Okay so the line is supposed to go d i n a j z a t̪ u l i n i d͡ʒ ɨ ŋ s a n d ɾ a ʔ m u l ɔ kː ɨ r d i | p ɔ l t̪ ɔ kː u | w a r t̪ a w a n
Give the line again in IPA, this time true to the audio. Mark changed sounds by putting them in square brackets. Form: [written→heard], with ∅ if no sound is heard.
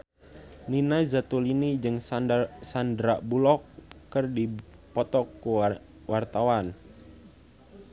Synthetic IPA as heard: [d→n] i n a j z a t̪ u l i n i d͡ʒ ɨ ŋ s a n d ɾ a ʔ [m→b] u l ɔ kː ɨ r d i | p ɔ [l→∅] t̪ ɔ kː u | w a r t̪ a w a n